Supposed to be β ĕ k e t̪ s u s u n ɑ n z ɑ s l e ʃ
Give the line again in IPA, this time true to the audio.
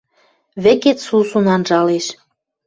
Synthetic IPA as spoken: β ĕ k e t̪ s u s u n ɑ n ʒ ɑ l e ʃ

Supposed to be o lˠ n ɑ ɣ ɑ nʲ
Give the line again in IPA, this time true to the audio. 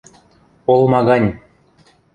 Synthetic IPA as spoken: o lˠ m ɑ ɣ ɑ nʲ

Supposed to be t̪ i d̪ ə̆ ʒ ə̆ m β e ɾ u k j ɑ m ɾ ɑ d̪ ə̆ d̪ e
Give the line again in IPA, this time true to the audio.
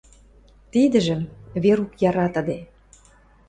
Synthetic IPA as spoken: t̪ i d̪ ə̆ ʒ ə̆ m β e ɾ u k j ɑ ɾ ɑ t̪ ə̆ d̪ e

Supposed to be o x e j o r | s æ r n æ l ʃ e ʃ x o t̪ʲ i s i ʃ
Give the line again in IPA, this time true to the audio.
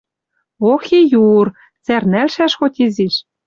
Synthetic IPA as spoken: o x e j u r | t͡s æ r n æ l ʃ æ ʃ x o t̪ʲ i z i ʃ

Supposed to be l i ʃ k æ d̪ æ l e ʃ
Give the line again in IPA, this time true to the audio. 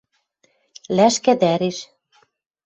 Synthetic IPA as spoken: l æ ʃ k æ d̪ æ ɾ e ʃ

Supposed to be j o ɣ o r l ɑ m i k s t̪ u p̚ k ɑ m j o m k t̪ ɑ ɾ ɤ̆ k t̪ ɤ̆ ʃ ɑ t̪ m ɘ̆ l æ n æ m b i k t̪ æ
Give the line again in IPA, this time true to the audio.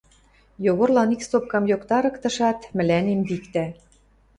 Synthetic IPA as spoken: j o ɣ o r l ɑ n i k s t̪ o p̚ k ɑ m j o k t̪ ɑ ɾ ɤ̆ k t̪ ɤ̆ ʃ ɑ t̪ m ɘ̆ l æ n e m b i k t̪ æ

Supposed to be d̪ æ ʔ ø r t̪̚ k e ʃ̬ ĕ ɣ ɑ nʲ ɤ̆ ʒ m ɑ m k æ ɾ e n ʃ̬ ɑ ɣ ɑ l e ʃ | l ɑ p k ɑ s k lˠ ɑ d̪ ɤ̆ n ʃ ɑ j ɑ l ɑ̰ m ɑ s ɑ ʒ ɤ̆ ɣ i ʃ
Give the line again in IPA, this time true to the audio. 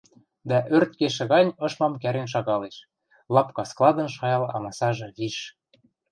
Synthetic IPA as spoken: d̪ æ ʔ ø r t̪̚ k e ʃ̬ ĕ ɣ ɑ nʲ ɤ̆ ʃ m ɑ m k æ ɾ e n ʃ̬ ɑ ɣ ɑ l e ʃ | l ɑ p k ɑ s k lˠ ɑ d̪ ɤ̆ n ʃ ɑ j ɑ l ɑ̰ m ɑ s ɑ ʒ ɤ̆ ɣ i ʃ

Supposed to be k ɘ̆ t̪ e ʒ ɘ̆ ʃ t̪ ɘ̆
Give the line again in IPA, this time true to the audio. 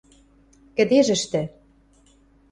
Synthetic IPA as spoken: k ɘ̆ d̪ e ʒ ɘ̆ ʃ t̪ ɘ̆

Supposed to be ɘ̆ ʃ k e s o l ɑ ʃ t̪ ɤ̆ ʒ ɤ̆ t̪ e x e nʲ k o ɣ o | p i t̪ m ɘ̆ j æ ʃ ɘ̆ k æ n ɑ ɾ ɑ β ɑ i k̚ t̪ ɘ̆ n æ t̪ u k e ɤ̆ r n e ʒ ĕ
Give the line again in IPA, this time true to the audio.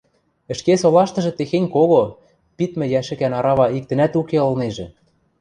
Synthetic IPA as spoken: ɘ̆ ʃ k e s o l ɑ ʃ t̪ ɤ̆ ʒ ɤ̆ t̪ e x e nʲ k o ɣ o | p i t̪ m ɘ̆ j æ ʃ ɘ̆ k æ n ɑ ɾ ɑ β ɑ i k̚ t̪ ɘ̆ n æ t̪ u k e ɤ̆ l n e ʒ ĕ

